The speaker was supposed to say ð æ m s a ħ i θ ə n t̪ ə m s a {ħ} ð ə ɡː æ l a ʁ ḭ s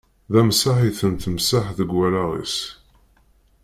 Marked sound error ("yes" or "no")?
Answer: no